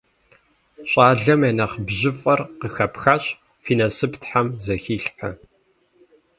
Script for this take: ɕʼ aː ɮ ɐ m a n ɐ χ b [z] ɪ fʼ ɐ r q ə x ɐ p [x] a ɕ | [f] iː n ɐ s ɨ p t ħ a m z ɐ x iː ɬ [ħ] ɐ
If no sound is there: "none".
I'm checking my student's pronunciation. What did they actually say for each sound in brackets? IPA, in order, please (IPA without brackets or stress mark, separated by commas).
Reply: ʑ, x, f, ħ